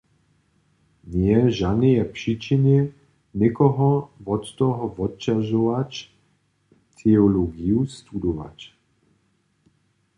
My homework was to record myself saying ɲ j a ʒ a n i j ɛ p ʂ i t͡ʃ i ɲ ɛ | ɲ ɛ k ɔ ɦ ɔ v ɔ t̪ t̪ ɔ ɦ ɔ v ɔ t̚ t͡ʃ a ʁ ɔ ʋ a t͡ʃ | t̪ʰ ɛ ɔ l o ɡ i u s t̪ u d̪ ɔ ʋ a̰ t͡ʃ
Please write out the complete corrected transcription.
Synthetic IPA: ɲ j ɛ ʒ a n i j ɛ p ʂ i t͡ʃ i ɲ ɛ | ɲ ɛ k ɔ ɦ ɔ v ɔ t̪ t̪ ɔ ɦ ɔ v ɔ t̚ t͡ʃ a ʒ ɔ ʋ a t͡ʃ | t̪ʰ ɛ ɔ l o ɡ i u s t̪ u d̪ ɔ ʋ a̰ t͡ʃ